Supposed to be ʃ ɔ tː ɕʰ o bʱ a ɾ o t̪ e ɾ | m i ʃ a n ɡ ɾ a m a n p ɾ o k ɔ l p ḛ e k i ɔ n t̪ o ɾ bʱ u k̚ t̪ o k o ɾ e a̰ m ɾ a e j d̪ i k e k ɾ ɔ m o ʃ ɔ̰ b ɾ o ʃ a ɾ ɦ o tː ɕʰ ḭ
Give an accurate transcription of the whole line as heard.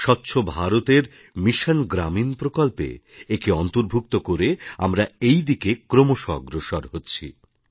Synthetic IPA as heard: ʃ ɔ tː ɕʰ o bʱ a ɾ o t̪ e ɾ | m i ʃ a n ɡ ɾ a m i n p ɾ o k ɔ l p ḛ e k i ɔ n t̪ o ɾ bʱ u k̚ t̪ o k o ɾ e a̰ m ɾ a e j d̪ i k e k ɾ o m o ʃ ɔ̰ ɡ ɾ o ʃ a ɾ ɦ o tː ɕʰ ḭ